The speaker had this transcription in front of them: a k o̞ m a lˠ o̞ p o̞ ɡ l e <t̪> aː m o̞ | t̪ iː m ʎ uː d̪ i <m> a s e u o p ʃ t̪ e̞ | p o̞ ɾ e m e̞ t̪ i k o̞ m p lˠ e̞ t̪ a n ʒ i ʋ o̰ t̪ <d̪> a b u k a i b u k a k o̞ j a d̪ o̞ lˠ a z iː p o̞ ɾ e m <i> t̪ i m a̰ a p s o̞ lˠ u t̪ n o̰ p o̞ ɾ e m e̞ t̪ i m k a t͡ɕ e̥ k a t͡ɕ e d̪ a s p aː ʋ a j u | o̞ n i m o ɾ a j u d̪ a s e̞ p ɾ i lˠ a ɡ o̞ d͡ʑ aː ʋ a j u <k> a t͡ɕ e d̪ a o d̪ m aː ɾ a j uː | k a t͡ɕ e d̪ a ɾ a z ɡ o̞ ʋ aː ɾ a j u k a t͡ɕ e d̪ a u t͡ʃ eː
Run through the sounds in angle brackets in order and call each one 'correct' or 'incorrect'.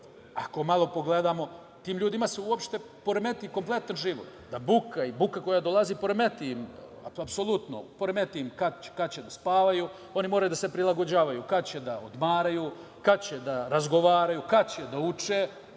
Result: incorrect: d̪, correct, correct, incorrect: e, correct

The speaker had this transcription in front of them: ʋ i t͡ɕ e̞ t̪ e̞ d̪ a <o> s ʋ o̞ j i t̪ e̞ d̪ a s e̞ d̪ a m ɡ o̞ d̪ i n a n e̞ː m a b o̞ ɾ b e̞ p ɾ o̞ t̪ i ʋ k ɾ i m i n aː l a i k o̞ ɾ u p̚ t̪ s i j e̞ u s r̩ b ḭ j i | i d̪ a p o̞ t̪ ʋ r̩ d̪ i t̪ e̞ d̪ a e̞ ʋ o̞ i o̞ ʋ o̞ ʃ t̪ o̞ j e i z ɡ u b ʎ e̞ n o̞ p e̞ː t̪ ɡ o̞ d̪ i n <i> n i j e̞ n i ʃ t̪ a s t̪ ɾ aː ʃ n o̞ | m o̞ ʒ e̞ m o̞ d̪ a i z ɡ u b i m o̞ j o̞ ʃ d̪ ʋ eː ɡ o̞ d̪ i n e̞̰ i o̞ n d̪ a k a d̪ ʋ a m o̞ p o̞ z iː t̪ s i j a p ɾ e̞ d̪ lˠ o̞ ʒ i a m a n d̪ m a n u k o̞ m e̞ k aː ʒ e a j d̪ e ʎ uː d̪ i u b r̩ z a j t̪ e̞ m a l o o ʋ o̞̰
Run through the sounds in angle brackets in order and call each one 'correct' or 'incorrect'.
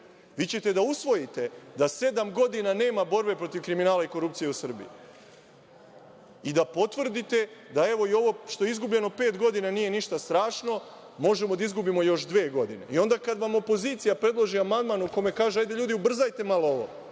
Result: incorrect: u, incorrect: a

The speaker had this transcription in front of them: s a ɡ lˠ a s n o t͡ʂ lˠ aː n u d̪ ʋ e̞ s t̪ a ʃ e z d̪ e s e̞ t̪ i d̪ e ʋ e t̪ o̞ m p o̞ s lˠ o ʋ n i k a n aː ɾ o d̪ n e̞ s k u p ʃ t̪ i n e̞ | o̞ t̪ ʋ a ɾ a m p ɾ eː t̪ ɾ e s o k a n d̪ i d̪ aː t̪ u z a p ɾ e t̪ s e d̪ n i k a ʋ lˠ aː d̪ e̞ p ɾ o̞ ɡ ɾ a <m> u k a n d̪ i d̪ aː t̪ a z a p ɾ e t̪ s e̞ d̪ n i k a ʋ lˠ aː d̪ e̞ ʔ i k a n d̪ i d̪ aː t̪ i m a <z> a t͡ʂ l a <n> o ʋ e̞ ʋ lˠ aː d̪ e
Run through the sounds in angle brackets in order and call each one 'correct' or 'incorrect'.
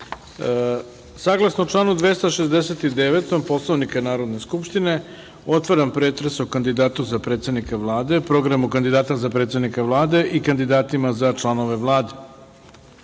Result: correct, correct, correct

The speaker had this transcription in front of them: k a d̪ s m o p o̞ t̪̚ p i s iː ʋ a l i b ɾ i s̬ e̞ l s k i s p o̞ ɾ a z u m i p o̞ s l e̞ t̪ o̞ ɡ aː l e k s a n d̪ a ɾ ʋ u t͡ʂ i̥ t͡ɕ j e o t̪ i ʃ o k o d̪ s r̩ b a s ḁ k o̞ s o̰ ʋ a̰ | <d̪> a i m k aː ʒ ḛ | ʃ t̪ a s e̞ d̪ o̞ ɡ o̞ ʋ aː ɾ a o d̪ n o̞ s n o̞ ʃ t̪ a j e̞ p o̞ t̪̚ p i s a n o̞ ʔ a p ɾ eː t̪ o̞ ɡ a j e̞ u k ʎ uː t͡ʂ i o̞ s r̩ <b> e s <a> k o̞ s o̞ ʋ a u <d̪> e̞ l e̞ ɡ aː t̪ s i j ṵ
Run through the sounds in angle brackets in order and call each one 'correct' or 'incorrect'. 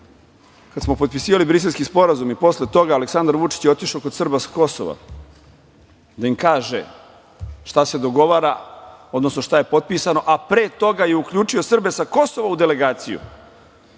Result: correct, correct, correct, correct

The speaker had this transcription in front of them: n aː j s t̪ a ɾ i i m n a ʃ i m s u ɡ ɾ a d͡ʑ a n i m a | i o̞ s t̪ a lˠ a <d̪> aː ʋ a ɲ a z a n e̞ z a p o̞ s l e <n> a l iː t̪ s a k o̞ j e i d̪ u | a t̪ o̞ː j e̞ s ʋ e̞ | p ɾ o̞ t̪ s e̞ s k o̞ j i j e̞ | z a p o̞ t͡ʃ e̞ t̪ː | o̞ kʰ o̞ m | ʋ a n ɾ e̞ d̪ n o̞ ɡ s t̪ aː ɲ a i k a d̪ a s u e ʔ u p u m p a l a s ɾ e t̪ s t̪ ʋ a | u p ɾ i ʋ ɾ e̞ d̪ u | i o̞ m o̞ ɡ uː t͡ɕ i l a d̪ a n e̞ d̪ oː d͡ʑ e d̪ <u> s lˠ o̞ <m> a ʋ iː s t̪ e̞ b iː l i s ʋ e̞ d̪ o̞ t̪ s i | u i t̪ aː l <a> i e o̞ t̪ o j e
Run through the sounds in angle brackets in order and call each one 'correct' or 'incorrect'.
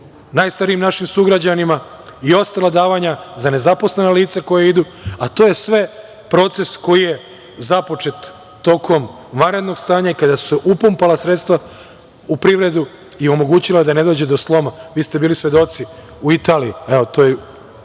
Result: correct, correct, incorrect: o, correct, incorrect: i

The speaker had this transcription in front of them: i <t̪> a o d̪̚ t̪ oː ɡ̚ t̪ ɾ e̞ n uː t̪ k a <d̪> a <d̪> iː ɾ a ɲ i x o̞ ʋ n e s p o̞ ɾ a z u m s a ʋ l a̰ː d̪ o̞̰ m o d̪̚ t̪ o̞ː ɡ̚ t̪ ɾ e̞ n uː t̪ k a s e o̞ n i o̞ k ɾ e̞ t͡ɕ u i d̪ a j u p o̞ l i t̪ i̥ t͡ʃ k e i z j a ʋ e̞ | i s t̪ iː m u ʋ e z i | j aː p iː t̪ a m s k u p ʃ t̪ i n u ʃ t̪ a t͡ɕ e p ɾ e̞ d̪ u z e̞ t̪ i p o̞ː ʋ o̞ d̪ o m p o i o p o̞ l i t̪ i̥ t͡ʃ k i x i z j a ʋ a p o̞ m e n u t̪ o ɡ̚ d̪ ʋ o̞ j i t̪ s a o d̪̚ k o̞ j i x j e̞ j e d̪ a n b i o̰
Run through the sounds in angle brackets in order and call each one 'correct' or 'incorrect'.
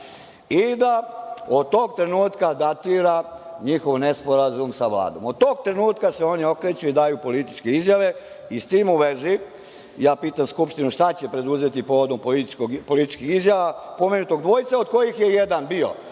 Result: incorrect: d̪, correct, incorrect: t̪

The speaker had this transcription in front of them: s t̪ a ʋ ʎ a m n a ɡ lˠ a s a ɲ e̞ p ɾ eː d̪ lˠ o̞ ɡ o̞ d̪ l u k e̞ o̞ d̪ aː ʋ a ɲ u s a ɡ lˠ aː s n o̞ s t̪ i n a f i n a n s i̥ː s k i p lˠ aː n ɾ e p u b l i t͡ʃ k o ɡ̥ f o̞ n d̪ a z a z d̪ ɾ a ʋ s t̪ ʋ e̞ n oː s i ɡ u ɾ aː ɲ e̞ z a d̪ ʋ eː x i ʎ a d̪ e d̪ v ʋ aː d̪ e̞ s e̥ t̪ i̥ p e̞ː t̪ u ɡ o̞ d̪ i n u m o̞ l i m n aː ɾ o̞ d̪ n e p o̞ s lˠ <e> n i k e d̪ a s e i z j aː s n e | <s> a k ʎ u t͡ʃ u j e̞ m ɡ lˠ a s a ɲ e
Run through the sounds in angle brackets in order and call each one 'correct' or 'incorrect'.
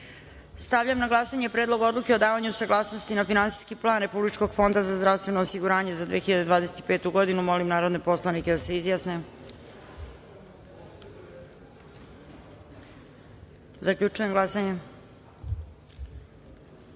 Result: incorrect: a, incorrect: z

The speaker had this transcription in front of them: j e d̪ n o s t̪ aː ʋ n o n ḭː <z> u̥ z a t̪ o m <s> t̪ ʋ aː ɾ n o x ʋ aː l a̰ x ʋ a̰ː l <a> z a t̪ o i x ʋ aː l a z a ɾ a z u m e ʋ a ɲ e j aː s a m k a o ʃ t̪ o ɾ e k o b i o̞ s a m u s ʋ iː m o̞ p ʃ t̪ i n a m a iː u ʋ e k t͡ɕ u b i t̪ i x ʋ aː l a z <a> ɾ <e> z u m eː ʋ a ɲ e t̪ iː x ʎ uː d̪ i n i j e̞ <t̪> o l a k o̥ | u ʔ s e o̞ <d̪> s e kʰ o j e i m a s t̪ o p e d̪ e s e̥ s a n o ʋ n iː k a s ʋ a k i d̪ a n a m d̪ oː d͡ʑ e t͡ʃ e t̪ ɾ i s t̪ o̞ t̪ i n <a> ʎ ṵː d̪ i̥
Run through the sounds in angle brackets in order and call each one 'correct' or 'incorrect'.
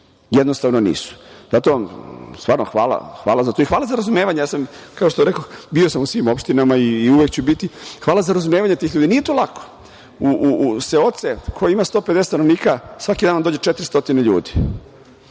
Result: incorrect: s, correct, correct, correct, incorrect: a, correct, incorrect: t̪, incorrect: e

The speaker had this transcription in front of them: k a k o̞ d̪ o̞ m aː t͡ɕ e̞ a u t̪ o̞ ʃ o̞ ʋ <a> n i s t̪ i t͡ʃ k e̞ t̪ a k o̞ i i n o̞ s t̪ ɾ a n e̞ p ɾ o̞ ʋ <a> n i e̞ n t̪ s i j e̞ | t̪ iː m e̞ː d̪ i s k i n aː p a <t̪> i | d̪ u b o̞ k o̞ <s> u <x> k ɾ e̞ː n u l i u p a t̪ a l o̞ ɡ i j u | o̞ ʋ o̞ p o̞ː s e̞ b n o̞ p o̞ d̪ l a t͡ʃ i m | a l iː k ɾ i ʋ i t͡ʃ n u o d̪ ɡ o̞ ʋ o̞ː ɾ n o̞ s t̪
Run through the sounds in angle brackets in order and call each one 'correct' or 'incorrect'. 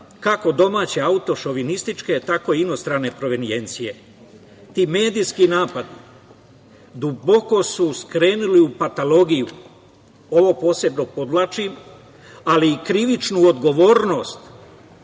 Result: incorrect: i, incorrect: e, incorrect: d̪, correct, incorrect: s

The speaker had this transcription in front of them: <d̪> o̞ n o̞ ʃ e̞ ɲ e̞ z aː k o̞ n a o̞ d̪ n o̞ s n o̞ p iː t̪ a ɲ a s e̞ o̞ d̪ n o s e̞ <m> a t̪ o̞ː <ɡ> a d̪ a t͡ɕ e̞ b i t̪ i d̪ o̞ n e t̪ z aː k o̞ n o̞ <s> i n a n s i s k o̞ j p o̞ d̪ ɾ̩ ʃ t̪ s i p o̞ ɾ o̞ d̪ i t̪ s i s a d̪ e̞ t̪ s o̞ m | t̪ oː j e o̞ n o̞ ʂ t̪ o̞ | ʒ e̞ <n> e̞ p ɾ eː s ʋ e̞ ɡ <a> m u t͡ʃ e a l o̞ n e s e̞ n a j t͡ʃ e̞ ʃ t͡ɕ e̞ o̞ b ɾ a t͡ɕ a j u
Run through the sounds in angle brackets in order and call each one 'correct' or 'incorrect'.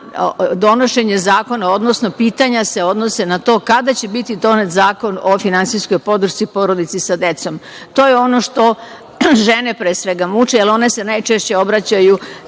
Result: correct, incorrect: n, incorrect: k, incorrect: f, correct, correct

